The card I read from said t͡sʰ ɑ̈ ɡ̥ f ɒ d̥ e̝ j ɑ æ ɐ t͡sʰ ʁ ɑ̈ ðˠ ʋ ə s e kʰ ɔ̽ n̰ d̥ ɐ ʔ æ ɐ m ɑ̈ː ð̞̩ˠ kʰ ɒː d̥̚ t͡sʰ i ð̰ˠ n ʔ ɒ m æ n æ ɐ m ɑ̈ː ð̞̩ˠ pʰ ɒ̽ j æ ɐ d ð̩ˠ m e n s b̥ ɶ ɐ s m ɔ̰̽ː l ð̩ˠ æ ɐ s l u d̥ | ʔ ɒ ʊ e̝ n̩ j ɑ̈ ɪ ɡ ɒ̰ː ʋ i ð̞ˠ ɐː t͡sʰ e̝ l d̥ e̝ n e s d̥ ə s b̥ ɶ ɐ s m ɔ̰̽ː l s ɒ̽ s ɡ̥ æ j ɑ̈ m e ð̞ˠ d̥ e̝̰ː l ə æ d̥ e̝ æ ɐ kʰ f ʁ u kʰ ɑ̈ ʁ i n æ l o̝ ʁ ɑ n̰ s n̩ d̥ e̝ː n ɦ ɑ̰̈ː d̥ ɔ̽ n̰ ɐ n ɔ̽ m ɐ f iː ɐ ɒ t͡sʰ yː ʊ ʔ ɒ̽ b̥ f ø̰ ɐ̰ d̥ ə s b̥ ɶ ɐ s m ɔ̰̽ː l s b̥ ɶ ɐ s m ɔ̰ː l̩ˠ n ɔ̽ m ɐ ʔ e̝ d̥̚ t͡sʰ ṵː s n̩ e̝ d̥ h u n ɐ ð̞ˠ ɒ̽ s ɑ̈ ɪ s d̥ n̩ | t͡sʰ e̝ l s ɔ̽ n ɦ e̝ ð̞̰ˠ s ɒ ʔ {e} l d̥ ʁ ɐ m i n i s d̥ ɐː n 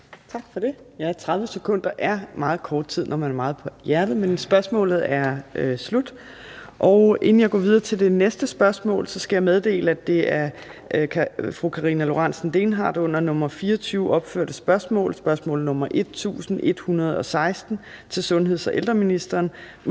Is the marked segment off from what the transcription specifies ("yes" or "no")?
no